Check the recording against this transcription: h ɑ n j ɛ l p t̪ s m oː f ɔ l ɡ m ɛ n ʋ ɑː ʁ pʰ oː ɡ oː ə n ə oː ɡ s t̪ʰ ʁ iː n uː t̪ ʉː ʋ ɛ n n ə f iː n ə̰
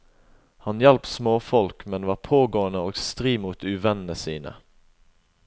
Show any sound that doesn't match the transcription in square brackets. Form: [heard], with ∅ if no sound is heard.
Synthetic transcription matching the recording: h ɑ n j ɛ l p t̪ s m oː f ɔ l [k] m ɛ n ʋ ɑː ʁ pʰ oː ɡ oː ə n ə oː ɡ s [t̪] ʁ iː [m] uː t̪ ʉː ʋ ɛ n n ə [s] iː n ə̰